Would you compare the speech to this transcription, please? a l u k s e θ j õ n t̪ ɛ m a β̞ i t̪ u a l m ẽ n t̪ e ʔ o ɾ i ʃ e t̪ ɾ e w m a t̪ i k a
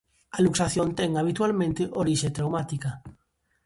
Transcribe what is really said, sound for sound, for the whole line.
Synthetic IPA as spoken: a l u k s a θ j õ n t̪ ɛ ŋ a β̞ i t̪ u a l m ẽ n t̪ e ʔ o ɾ i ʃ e t̪ ɾ a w m a t̪ i k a